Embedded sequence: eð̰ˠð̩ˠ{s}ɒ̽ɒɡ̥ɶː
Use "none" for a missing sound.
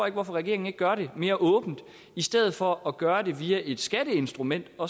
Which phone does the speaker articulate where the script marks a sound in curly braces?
f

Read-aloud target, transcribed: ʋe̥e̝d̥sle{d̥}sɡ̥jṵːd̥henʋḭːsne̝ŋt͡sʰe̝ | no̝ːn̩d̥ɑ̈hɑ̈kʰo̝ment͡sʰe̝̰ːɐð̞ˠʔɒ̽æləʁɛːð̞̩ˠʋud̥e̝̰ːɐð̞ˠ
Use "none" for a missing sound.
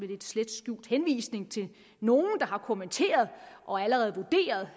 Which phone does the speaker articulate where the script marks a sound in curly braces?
d̥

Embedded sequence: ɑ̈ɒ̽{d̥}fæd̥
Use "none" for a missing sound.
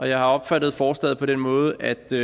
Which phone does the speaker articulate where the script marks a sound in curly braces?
b̥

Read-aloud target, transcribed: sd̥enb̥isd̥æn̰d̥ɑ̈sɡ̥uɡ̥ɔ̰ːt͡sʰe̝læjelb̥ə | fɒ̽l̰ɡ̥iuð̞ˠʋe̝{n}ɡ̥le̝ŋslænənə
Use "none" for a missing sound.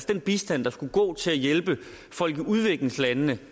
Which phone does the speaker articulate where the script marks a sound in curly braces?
none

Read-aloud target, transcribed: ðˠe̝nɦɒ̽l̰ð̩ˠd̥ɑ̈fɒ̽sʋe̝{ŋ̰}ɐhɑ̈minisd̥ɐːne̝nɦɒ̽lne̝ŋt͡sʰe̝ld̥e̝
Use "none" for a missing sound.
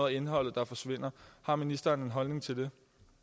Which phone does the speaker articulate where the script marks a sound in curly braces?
n̰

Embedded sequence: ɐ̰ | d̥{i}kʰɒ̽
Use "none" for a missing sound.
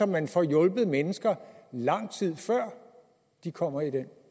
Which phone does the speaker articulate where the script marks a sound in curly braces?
i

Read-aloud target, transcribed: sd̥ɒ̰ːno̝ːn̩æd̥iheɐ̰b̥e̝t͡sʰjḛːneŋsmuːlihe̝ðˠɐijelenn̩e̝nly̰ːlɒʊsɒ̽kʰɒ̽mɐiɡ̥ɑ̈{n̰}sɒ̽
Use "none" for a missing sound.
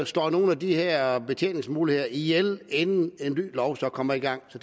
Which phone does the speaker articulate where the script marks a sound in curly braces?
ŋ̰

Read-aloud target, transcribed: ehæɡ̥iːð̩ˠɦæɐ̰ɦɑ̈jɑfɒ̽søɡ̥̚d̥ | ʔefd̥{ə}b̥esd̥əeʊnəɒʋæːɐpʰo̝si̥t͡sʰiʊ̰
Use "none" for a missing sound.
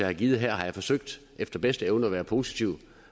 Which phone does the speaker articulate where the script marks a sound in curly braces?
ɐ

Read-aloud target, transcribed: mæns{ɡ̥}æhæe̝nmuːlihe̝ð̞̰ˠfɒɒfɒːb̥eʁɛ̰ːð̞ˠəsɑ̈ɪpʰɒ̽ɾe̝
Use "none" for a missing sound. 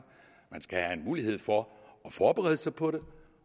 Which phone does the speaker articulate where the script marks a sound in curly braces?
ɡ̥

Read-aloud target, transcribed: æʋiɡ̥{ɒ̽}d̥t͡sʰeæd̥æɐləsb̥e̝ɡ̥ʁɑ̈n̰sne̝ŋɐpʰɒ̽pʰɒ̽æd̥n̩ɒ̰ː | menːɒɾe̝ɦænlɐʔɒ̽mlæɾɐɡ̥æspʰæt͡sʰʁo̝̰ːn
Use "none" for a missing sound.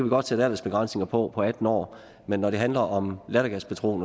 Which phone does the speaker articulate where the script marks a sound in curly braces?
ɒ̽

